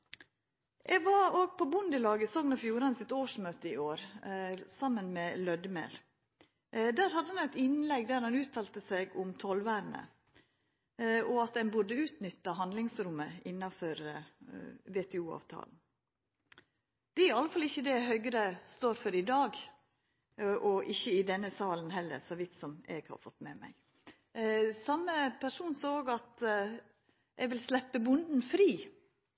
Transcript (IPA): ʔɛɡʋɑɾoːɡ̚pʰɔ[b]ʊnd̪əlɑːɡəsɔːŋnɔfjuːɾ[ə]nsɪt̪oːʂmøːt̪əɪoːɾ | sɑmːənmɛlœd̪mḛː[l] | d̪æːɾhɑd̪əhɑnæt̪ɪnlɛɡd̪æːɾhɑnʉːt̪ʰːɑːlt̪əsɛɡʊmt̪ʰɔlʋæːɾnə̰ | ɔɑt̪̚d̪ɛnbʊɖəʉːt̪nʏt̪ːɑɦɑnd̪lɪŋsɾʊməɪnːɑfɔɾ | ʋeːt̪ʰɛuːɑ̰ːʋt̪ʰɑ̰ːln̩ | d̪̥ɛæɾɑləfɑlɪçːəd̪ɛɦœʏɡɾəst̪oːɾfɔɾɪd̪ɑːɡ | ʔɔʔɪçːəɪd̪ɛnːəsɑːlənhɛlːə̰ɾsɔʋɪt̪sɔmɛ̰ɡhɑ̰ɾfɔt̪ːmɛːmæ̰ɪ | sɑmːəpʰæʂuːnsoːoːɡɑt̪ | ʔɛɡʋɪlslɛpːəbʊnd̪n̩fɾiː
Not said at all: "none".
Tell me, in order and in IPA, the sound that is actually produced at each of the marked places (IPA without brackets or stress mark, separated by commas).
b, ɑ, l